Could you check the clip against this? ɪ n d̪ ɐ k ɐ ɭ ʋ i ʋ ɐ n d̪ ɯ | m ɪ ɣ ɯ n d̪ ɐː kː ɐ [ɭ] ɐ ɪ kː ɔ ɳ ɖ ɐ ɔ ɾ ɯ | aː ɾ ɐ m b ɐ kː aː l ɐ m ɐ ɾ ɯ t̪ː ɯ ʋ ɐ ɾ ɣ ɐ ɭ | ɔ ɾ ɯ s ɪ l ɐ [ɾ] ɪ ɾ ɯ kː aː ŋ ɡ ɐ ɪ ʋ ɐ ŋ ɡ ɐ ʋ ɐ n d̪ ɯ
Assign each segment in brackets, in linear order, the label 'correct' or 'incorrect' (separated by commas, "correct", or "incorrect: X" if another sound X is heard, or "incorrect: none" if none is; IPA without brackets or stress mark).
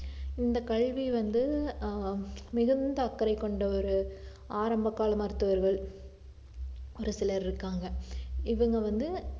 incorrect: ɾ, correct